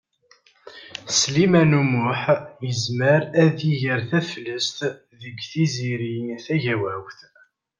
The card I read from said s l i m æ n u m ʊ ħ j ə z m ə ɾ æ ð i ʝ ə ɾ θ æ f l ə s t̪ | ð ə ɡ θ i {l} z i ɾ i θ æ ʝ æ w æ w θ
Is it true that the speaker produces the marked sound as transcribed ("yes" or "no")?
no